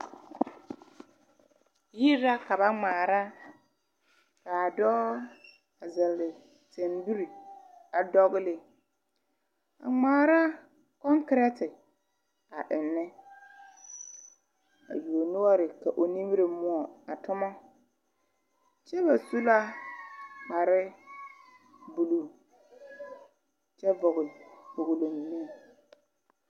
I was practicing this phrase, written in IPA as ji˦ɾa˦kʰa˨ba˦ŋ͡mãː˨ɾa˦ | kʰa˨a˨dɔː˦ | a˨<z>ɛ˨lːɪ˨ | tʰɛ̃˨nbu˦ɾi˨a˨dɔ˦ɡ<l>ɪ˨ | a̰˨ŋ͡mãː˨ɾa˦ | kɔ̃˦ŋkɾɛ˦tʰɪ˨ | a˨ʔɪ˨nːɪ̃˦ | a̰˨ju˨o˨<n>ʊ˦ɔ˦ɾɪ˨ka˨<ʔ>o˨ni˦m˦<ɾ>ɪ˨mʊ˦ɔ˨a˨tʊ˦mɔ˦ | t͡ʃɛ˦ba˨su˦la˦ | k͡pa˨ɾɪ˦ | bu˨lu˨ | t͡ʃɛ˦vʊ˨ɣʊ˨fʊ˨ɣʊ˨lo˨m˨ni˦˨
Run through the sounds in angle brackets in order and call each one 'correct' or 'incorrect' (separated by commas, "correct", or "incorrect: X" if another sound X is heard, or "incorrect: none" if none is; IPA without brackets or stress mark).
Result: correct, correct, correct, correct, correct